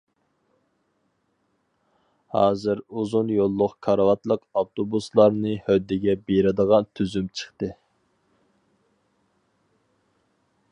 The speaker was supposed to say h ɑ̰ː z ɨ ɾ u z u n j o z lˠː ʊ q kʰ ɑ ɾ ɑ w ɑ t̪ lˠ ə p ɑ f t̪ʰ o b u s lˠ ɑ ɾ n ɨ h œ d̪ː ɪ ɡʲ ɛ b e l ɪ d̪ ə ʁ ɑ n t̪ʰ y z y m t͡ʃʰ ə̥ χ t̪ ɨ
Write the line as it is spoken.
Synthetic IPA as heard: h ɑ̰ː z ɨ ɾ u z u n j o lˠː ʊ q kʰ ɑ ɾ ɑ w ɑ t̪ lˠ ə q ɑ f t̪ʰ o b u s lˠ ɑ ɾ n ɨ h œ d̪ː ɪ ɡʲ ɛ b e ɾ ɪ d̪ ə ʁ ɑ n t̪ʰ y z y m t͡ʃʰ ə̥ χ t̪ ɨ